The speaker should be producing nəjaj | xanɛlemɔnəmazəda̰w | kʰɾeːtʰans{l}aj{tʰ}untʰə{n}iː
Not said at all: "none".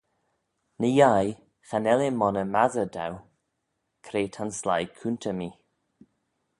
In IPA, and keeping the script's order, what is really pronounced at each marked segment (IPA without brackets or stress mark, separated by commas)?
l, kʰ, m